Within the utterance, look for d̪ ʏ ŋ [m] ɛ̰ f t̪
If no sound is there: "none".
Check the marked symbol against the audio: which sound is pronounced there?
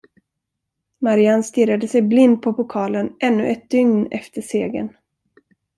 n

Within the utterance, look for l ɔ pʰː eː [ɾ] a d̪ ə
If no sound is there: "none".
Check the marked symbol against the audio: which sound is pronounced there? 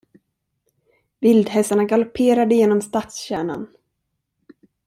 ɾ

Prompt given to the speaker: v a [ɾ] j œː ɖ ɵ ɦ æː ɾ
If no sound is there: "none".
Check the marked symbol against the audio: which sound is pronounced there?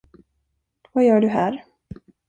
none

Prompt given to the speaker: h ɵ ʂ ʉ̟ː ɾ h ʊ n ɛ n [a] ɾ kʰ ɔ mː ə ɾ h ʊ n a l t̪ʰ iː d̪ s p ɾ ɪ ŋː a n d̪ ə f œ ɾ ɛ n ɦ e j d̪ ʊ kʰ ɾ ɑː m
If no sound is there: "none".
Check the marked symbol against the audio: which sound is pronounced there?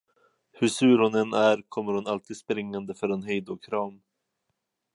æ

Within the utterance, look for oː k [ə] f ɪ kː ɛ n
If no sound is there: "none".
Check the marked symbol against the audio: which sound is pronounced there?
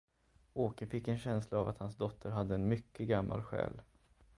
ə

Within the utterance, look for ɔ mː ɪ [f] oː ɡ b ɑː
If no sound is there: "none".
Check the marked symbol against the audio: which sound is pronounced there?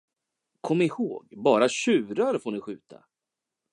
h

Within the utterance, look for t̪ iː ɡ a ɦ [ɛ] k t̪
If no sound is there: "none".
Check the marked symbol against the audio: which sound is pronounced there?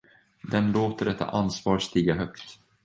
œ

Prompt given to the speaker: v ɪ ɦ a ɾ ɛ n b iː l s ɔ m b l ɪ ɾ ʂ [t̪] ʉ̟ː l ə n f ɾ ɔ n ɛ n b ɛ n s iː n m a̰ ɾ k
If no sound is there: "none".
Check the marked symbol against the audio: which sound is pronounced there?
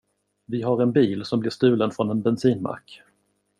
t̪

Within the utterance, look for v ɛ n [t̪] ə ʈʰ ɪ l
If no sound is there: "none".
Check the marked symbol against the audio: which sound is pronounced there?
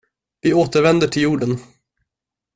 d̪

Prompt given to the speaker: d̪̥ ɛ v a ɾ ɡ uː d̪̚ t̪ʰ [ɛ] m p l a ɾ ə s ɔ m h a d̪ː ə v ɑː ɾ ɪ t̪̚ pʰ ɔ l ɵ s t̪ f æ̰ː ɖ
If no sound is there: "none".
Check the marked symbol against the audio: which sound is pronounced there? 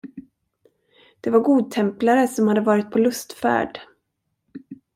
ɛ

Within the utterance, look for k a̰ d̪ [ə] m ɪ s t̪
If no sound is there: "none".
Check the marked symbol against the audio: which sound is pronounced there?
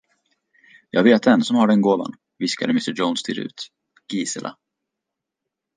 ə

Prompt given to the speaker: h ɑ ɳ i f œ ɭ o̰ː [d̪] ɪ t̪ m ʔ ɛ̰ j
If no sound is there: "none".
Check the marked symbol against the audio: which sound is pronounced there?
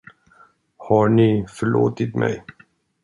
t̪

